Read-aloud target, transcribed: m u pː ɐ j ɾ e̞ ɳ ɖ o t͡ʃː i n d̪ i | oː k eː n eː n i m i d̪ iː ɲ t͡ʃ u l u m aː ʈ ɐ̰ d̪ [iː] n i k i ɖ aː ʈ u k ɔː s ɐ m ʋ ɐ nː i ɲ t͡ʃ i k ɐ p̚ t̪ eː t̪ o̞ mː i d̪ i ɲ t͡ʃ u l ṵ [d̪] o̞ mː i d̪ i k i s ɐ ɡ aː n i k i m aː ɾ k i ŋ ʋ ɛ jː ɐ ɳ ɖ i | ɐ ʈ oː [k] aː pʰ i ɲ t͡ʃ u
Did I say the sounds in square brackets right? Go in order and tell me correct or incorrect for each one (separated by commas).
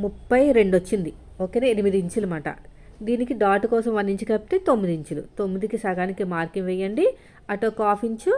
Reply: correct, incorrect, correct